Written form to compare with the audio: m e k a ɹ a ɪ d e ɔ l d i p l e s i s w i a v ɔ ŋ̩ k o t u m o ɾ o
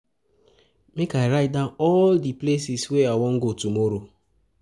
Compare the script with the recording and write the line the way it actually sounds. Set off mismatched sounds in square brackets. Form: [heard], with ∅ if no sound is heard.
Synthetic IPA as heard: m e k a [ɾ] a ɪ d [a] ɔ l d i p l e s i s w [e] a [w] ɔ ŋ̩ [ɡ] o t u m o ɾ o